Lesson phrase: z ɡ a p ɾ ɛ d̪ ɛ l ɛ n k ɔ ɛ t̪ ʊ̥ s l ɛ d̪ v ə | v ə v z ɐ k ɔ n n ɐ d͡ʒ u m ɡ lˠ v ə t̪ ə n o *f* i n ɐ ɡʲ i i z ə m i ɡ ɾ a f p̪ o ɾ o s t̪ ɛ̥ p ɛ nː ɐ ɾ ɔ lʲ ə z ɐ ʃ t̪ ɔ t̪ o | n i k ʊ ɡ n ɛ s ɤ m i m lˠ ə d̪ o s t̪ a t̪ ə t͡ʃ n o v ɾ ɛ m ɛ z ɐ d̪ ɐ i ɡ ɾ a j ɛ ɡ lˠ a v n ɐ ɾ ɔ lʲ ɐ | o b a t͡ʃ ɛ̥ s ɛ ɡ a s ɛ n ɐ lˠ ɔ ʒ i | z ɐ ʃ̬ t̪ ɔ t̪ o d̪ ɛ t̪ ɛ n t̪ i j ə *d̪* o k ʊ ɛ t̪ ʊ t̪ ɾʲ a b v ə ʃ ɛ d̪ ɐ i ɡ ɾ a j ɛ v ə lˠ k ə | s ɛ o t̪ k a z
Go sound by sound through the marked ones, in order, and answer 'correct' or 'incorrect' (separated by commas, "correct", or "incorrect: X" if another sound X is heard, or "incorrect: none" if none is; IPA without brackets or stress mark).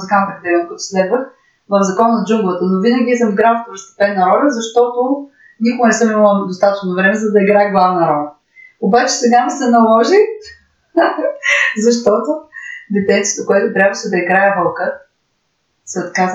incorrect: v, incorrect: t̪